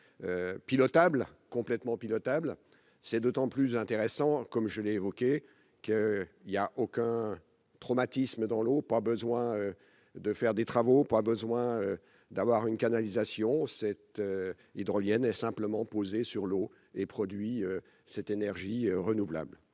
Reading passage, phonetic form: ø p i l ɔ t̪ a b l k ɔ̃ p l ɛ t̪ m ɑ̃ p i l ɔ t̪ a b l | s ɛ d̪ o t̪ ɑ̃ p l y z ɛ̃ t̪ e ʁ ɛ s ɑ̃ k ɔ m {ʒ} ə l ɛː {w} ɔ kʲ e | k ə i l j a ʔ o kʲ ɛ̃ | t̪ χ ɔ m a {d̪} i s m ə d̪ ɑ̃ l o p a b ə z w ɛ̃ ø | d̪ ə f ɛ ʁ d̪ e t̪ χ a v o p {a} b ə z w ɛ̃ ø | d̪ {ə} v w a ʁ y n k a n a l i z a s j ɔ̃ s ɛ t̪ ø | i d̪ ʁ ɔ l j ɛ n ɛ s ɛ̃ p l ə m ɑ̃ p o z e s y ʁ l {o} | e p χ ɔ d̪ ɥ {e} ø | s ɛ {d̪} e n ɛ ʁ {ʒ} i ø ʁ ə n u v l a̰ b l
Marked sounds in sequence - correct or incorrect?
correct, incorrect: v, incorrect: t̪, correct, incorrect: a, correct, incorrect: i, incorrect: t̪, correct

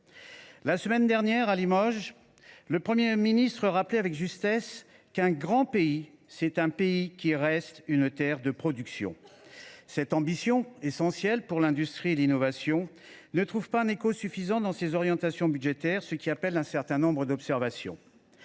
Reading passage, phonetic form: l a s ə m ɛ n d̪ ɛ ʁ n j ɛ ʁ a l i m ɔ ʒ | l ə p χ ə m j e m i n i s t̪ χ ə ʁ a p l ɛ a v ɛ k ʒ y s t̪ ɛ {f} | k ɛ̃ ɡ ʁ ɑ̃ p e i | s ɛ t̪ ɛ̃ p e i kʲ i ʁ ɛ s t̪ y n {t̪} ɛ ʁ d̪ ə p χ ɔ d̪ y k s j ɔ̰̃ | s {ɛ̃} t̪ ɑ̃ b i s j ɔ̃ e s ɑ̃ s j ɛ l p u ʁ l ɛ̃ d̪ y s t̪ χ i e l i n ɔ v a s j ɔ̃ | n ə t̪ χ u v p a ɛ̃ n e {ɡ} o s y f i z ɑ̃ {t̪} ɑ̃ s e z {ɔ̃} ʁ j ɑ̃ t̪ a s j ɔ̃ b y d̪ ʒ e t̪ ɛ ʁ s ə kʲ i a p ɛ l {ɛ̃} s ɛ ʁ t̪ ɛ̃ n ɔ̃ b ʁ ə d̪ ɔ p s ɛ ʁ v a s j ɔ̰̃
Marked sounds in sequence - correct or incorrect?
incorrect: s, correct, incorrect: ɛ, incorrect: k, incorrect: d̪, incorrect: ɔ, correct

